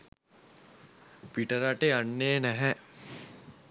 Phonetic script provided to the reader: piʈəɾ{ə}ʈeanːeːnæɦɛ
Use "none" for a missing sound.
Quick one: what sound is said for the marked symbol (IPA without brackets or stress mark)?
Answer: a